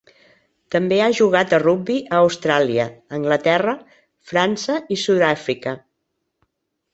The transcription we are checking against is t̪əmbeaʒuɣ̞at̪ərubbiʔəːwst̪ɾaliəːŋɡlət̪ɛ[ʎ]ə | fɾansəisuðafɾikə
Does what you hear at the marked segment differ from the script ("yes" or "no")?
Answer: yes